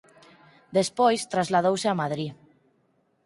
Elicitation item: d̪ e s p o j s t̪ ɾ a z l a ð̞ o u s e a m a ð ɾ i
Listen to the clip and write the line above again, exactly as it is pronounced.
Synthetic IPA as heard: d̪ e s p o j s t̪ ɾ a z l a ð̞ o w s e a m a ð ɾ i